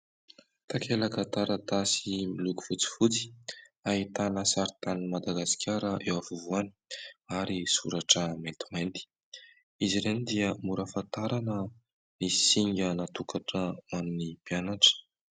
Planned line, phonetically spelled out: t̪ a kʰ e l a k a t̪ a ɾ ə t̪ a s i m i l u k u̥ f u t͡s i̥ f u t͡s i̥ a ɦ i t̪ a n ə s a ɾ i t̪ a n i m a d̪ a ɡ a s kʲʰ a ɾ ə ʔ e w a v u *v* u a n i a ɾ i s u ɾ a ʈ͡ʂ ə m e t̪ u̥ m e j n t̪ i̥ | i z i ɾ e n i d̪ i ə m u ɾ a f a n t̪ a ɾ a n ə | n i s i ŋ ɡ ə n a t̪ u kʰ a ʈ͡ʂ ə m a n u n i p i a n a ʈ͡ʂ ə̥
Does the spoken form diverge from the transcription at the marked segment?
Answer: no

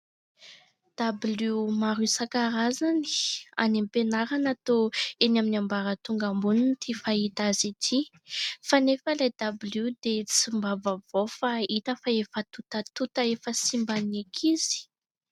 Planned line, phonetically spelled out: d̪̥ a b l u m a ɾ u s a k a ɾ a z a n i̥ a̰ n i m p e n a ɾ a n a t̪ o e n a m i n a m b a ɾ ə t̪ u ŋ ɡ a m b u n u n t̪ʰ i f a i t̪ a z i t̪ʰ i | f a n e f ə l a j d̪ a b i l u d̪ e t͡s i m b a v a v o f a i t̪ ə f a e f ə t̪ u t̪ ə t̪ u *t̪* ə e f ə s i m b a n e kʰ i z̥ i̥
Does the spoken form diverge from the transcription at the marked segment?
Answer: no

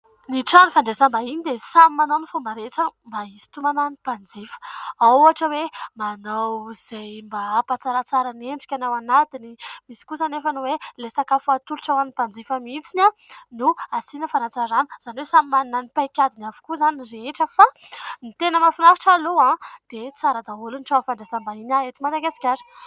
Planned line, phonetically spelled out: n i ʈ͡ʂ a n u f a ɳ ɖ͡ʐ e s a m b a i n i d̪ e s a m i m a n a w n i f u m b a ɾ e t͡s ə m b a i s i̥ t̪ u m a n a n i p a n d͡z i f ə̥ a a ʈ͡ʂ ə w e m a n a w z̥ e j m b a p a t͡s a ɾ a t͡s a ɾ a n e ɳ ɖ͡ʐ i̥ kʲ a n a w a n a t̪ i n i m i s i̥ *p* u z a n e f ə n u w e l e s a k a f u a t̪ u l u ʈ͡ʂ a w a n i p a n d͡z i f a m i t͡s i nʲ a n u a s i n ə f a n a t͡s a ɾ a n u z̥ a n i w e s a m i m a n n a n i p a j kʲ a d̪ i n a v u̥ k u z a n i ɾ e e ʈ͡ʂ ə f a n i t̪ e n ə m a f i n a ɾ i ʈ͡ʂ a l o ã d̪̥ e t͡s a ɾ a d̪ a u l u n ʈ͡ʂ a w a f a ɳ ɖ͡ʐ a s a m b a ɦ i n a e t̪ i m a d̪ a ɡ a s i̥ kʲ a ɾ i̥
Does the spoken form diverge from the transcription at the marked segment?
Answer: yes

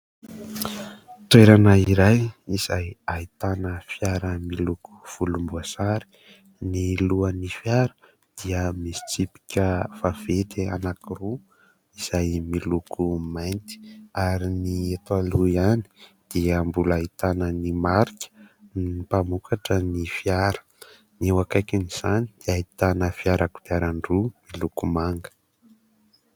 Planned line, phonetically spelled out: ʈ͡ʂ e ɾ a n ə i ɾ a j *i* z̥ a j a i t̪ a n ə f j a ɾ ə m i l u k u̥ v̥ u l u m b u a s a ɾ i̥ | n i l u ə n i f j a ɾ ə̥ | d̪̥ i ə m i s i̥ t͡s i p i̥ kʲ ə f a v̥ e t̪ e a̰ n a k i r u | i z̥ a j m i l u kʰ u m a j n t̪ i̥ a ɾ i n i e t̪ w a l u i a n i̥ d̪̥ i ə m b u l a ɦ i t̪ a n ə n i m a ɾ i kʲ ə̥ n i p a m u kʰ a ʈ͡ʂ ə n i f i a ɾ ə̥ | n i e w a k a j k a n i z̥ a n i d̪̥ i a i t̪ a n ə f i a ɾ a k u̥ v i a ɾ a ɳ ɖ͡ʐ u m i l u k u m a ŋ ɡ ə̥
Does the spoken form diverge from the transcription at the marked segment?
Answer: no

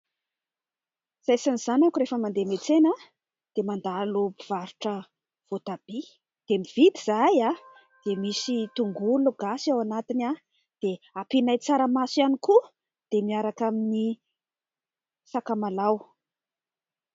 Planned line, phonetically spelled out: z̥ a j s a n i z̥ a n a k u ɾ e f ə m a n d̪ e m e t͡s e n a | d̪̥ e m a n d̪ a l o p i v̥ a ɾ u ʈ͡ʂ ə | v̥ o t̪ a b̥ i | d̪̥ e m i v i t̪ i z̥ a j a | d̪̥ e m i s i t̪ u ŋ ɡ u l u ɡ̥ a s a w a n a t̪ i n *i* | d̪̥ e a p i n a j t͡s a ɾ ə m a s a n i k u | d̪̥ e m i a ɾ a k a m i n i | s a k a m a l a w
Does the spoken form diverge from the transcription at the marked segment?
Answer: yes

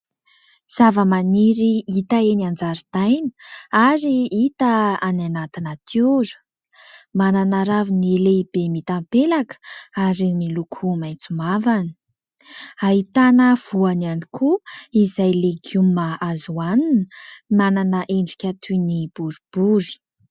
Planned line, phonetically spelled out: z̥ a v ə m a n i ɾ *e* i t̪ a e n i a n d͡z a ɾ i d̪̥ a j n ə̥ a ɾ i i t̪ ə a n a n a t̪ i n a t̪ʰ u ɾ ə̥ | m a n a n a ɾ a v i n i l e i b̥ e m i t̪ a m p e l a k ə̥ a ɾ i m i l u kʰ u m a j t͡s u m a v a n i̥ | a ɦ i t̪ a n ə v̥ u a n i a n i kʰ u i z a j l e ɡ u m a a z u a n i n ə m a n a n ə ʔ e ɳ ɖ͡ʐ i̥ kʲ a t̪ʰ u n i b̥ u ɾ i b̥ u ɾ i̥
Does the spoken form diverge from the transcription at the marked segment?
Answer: yes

